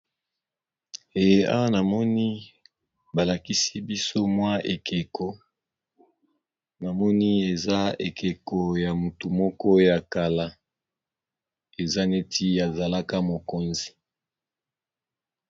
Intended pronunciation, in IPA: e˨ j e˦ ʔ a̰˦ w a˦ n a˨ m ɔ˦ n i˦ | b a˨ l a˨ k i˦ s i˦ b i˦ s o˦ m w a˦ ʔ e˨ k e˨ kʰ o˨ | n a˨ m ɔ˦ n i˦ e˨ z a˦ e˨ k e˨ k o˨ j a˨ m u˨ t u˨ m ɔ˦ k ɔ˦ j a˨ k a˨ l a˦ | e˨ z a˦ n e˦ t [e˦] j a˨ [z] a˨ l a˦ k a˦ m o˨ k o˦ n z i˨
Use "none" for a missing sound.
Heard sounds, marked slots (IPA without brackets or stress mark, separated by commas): i˦, z